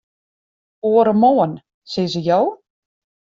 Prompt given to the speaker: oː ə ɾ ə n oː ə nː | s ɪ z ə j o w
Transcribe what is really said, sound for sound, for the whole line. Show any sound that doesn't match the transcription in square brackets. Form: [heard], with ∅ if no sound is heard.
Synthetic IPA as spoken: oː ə ɾ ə [m] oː ə [n] | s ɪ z ə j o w